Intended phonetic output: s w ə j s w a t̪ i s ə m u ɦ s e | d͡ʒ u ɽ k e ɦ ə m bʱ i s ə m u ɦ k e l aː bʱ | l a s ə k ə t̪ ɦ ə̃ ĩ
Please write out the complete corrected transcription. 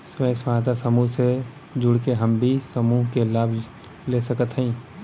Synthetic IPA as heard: s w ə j s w a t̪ a s ə m u ɦ s e | d͡ʒ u ɽ k e ɦ ə m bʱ i s ə m u ɦ k e l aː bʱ | l e s ə k ə t̪ ɦ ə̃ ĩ